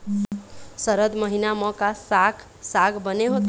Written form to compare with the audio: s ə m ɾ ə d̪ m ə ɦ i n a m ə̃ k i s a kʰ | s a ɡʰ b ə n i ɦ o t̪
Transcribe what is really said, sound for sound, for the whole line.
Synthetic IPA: s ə ɾ ə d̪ m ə ɦ i n a m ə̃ k a s a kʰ | s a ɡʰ b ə n e ɦ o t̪